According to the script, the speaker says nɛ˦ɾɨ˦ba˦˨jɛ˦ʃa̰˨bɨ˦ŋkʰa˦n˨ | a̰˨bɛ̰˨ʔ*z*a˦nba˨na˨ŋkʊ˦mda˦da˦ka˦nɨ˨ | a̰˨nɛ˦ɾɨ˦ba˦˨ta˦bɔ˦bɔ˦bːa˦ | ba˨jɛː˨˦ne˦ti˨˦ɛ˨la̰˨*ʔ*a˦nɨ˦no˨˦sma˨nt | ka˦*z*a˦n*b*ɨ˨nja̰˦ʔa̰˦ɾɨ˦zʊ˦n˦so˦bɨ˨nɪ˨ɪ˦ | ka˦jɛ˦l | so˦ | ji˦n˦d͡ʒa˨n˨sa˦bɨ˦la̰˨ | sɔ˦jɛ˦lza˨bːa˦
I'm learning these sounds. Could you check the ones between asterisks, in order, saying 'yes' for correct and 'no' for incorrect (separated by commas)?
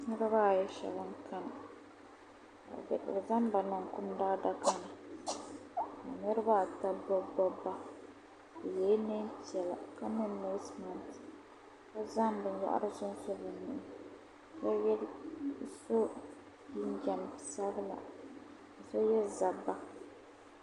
yes, no, yes, yes